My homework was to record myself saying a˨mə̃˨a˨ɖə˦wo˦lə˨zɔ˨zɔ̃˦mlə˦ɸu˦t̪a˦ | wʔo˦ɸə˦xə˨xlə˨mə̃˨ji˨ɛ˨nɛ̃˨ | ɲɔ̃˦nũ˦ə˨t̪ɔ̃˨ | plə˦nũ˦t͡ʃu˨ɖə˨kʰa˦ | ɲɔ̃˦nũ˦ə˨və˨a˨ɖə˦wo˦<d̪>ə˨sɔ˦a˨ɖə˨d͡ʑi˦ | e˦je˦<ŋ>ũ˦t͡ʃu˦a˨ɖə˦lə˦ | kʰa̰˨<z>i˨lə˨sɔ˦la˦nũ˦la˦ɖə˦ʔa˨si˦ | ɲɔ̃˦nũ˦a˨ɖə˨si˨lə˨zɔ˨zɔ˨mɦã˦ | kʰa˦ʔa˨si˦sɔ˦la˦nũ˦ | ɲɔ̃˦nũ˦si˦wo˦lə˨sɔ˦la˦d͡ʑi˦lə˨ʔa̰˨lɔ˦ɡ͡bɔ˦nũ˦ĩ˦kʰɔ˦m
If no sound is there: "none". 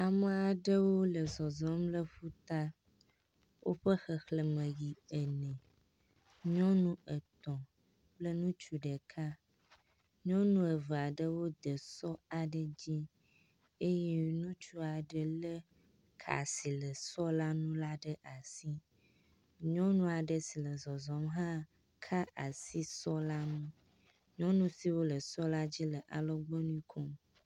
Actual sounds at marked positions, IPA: d̪, n, s

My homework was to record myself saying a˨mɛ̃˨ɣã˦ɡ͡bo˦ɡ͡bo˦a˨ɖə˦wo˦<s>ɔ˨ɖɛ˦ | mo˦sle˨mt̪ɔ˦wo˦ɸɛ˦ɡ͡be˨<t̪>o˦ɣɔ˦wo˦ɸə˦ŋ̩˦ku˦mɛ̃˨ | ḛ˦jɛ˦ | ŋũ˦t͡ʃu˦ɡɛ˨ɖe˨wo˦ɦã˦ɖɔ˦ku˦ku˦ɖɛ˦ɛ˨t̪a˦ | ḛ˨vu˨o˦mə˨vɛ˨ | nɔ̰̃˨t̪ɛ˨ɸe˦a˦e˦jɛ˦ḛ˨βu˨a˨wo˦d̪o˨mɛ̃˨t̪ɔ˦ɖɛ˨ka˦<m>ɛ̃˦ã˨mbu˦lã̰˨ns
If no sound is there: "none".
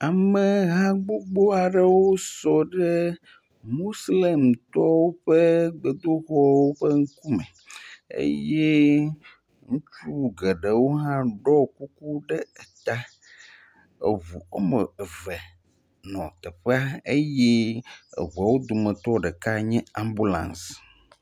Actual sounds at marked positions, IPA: s, d̪, ɲ

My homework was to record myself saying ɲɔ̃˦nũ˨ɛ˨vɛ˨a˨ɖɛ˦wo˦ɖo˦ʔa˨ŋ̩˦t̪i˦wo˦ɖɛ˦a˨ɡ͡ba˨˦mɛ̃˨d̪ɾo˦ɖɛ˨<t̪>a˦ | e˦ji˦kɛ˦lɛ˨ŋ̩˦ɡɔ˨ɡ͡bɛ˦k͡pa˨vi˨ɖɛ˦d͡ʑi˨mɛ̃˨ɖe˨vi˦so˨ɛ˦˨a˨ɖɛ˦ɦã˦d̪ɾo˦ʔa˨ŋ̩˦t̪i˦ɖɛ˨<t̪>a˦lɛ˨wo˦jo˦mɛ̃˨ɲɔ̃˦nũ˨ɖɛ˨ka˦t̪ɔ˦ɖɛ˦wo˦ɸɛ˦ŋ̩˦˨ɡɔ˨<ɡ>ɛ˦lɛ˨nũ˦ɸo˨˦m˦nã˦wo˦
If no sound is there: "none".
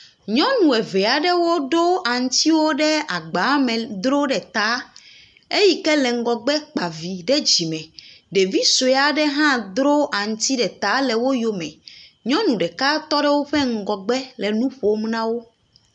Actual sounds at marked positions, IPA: t̪, t̪, ɡ͡b

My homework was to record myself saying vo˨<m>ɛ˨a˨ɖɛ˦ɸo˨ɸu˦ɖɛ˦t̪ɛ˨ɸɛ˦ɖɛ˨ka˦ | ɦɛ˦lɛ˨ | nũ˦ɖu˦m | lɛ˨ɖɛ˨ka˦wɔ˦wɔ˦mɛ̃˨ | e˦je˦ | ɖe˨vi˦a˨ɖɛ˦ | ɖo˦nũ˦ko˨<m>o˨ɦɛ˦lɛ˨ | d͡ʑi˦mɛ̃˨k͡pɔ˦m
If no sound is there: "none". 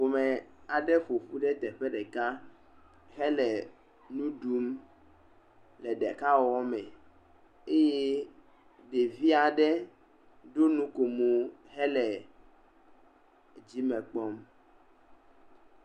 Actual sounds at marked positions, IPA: m, m

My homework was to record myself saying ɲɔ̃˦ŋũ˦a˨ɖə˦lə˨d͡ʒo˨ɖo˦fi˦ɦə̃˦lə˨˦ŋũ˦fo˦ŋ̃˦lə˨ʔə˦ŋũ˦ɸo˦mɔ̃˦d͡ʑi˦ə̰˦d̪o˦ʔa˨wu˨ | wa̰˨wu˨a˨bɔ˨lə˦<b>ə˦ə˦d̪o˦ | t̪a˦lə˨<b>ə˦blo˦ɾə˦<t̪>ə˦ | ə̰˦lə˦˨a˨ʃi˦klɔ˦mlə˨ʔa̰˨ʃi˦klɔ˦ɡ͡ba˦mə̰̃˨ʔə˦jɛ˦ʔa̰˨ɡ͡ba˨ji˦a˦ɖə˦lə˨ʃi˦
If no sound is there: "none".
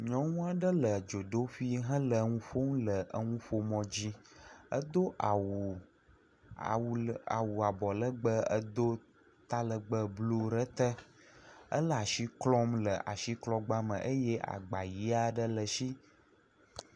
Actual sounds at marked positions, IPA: ɡ͡b, ɡ͡b, t̪

